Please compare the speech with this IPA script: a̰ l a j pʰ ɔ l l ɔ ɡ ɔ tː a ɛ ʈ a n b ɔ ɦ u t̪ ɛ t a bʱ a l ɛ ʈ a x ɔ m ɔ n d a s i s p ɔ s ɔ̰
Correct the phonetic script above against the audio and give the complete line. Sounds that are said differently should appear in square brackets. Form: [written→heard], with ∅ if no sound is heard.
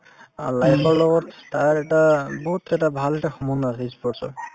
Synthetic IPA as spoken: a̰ l a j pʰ ɔ [l→ɹ] l ɔ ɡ ɔ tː a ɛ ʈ a [n→∅] b ɔ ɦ u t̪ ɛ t a bʱ a l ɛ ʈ a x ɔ m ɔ n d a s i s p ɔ s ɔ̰